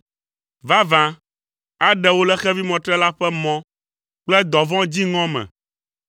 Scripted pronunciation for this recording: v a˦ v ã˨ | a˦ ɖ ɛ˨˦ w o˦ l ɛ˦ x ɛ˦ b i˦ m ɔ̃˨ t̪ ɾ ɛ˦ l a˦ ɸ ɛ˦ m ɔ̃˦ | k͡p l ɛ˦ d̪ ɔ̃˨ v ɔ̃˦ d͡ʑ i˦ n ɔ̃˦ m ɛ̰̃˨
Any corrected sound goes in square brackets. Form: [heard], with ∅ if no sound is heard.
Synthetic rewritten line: v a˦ v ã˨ | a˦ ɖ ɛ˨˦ w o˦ l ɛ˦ x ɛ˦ [v] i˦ m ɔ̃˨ t̪ ɾ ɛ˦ l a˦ ɸ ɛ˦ m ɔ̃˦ | k͡p l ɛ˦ d̪ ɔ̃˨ v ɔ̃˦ d͡ʑ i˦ [ŋ] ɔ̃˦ m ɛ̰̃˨